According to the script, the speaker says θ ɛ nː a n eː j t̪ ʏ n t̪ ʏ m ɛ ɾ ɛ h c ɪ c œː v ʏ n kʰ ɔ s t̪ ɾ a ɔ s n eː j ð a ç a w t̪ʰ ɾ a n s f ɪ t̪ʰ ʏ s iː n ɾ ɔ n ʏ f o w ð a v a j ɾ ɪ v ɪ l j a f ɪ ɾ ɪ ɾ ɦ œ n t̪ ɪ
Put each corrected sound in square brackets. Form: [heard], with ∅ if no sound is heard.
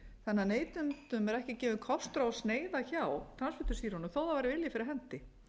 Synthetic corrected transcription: θ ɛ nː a n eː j t̪ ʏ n t̪ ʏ m ɛ ɾ ɛ h c ɪ c [ɛː] v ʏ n kʰ ɔ s t̪ ɾ a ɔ s n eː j ð a ç a w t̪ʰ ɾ a n s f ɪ [t̪] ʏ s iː [∅] ɾ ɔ n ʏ [θ] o w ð a v a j ɾ ɪ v ɪ l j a f ɪ ɾ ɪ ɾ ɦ [ɛ] n t̪ ɪ